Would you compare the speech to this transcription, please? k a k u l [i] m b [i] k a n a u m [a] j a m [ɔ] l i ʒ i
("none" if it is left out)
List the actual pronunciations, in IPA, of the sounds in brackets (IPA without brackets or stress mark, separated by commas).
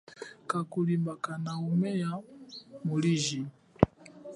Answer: i, a, ɛ, u